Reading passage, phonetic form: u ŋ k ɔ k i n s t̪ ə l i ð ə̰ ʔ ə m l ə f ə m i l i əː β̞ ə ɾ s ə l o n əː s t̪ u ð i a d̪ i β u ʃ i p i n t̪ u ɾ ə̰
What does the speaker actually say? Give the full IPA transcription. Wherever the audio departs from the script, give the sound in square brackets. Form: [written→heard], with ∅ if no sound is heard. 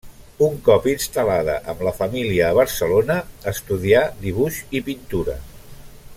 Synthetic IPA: u ŋ k ɔ [k→p] i n s t̪ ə l [i→a] ð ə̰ ʔ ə m l ə f ə m i l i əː β̞ ə ɾ s ə l o n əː s t̪ u ð i a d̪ i β u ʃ i p i n t̪ u ɾ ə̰